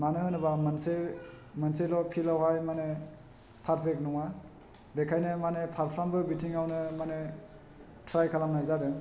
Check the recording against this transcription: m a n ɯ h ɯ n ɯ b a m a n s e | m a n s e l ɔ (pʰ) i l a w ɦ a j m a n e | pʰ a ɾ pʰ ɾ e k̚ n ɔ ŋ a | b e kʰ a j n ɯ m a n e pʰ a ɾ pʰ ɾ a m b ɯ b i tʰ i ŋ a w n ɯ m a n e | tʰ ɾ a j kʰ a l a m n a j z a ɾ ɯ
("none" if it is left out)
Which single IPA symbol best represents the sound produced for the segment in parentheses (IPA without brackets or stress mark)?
pʰ